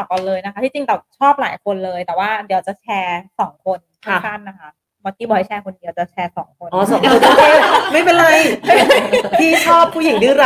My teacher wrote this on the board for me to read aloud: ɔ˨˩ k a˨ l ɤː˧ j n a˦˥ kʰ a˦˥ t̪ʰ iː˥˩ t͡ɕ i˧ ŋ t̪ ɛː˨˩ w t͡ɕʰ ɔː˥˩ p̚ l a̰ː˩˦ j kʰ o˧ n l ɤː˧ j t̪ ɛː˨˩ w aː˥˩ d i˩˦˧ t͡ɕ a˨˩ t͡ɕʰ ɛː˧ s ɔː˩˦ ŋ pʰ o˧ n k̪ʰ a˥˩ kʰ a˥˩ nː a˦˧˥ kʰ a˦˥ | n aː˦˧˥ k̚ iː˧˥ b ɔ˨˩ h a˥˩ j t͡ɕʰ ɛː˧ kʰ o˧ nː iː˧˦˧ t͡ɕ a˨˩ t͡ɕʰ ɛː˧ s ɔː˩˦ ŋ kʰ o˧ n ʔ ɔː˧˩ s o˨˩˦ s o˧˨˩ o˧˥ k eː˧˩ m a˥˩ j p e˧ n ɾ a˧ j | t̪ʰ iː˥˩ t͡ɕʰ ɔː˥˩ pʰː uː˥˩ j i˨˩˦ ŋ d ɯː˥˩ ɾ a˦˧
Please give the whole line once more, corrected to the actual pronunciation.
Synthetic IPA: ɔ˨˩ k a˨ l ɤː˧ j n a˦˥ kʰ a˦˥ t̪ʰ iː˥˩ t͡ɕ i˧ ŋ t̪ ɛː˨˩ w t͡ɕʰ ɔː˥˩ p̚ l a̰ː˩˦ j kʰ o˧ n l ɤː˧ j t̪ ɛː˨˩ w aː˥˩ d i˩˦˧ t͡ɕ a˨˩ t͡ɕʰ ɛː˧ s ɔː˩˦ ŋ kʰ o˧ n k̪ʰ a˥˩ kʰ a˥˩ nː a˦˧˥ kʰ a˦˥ | m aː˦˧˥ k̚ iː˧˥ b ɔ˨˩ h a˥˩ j t͡ɕʰ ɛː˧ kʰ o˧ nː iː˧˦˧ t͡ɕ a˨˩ t͡ɕʰ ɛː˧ s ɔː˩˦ ŋ kʰ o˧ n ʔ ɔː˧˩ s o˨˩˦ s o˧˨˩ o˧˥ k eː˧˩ m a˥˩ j p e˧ n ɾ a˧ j | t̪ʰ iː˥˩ t͡ɕʰ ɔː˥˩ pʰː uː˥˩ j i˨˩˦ ŋ d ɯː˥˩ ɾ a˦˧